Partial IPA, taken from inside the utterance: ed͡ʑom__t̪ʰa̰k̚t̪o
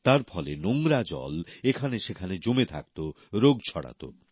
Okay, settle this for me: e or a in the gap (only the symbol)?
e